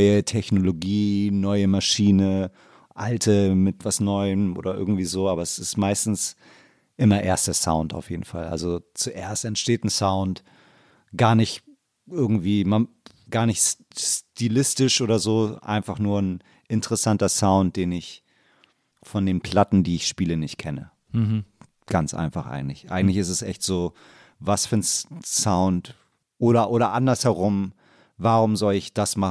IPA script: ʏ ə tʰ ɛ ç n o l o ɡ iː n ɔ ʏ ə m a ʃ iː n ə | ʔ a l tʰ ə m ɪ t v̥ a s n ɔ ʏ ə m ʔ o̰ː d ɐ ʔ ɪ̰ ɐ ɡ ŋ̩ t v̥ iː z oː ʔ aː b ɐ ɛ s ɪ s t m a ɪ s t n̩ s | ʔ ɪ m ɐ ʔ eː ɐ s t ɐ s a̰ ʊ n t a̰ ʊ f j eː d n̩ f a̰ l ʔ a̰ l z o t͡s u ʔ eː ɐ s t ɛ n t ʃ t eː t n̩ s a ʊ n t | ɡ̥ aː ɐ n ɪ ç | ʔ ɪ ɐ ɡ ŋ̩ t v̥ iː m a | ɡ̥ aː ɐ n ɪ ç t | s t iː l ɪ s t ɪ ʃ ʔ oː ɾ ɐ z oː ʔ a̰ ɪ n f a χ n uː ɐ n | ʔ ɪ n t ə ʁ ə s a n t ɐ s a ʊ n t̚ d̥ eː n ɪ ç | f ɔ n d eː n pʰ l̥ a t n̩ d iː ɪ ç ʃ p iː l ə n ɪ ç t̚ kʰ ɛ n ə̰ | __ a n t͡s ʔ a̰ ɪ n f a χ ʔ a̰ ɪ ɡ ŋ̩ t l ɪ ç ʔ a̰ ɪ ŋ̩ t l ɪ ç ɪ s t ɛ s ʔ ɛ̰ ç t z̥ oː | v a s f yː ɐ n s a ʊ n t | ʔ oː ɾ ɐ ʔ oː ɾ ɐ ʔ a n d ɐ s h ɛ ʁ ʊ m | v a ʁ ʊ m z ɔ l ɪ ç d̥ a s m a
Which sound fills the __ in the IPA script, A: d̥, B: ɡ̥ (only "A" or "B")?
B